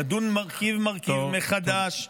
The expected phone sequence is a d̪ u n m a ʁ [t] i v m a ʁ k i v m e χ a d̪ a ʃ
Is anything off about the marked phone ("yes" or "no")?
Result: yes